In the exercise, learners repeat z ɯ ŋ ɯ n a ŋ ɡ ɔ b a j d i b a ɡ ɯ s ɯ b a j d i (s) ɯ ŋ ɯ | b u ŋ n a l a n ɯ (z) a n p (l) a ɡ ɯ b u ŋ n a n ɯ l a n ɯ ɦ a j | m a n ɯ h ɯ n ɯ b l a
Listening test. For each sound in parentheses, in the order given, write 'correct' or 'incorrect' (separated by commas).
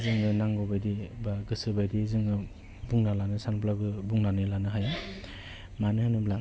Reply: incorrect, incorrect, correct